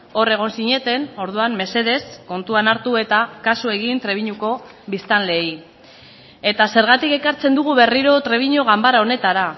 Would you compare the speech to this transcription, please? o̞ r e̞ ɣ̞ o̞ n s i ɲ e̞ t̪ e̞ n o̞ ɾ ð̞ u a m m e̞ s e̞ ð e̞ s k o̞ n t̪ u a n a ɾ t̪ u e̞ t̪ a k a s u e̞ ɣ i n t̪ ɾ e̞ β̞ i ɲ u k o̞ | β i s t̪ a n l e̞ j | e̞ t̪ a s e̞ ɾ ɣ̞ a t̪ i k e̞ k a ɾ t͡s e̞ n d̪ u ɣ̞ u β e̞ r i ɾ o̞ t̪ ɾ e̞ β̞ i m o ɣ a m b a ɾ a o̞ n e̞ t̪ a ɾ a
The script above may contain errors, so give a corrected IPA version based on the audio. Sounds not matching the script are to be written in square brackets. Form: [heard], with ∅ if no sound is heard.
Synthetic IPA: o̞ r e̞ ɣ̞ o̞ n s i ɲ e̞ t̪ e̞ n o̞ ɾ ð̞ u a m m e̞ s e̞ ð e̞ s k o̞ n t̪ u a n a ɾ t̪ u e̞ t̪ a k a s u e̞ ɣ i n t̪ ɾ e̞ β̞ i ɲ u k o̞ | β i s t̪ a n l e̞ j | e̞ t̪ a s e̞ ɾ ɣ̞ a t̪ i k e̞ k a ɾ t͡s e̞ n d̪ u ɣ̞ u β e̞ r i ɾ o̞ t̪ ɾ e̞ β̞ i [ɲ] o ɣ a m b a ɾ a o̞ n e̞ t̪ a ɾ a